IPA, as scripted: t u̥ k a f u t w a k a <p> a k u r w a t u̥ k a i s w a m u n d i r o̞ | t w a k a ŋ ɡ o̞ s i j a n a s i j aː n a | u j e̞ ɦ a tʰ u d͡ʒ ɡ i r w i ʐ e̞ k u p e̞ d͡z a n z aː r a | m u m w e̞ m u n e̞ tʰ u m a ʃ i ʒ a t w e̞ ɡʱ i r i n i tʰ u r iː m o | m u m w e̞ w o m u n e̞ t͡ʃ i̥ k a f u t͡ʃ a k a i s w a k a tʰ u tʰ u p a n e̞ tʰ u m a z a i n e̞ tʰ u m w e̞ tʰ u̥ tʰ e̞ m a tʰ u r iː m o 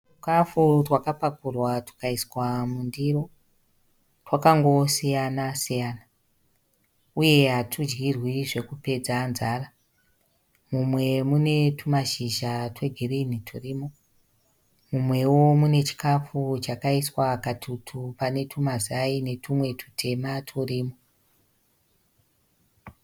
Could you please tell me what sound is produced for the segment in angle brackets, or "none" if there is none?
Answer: p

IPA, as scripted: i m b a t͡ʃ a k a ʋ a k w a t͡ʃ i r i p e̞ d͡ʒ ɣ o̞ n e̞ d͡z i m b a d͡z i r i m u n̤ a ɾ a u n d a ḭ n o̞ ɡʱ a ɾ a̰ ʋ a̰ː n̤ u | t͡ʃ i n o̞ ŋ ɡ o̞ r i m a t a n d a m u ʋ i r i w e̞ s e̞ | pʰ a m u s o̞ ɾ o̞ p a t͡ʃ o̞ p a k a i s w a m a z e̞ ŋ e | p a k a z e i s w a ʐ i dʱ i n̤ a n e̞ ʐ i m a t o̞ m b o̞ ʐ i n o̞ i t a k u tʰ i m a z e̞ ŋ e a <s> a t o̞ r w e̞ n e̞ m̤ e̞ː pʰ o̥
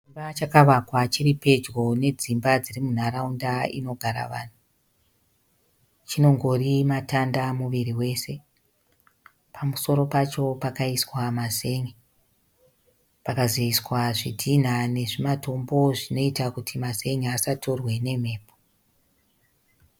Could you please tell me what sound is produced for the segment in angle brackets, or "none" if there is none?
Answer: s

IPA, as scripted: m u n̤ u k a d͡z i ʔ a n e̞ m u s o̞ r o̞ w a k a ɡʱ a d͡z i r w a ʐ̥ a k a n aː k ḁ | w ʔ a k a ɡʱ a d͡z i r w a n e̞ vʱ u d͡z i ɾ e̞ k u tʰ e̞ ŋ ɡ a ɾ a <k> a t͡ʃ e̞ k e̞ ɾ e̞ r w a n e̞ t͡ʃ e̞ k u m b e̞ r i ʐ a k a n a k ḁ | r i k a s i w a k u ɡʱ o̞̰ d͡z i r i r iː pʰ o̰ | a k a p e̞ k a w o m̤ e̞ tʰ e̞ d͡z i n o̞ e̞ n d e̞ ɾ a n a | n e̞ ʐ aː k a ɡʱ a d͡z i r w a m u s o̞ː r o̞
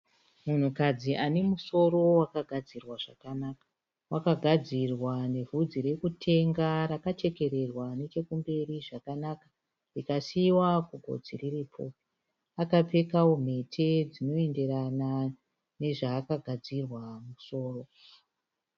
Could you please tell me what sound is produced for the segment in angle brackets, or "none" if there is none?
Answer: k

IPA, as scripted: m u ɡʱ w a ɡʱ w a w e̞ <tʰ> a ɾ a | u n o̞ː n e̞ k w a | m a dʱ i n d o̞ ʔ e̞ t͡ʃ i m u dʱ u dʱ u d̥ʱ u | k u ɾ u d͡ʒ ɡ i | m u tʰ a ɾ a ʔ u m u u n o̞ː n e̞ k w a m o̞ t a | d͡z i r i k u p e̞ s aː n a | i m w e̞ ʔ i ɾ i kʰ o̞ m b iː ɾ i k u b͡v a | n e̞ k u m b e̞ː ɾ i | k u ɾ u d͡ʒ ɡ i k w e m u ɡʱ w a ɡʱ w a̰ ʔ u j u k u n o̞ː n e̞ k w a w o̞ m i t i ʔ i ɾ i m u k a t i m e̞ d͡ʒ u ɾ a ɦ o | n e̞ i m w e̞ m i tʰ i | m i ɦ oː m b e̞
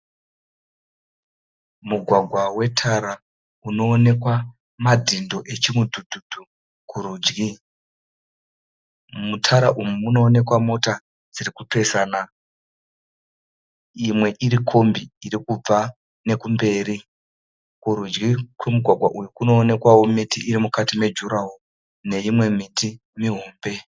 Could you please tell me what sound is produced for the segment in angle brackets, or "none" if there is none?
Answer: tʰ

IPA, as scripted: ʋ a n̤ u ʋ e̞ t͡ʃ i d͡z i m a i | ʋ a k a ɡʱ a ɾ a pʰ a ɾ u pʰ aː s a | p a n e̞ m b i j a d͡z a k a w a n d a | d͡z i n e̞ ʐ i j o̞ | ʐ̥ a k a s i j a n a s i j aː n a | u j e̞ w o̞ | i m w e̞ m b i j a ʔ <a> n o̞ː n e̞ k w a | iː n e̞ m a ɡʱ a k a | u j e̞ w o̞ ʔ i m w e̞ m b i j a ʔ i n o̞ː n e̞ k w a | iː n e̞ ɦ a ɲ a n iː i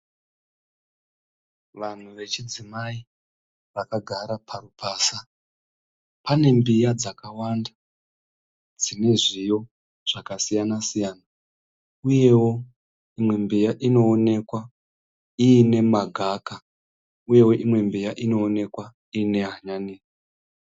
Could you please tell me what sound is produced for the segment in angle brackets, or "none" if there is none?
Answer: i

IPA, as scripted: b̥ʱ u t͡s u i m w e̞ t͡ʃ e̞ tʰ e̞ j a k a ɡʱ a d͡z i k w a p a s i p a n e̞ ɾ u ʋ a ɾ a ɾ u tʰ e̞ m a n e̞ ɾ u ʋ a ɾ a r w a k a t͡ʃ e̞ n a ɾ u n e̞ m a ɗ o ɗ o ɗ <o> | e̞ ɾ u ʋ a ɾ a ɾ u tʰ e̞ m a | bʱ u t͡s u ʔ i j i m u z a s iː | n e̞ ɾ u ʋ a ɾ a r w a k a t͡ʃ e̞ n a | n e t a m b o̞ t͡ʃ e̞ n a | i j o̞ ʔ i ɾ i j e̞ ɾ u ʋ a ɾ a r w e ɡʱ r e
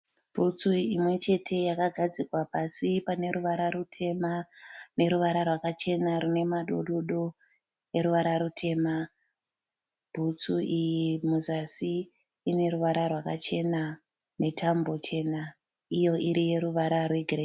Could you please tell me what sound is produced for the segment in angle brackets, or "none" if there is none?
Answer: o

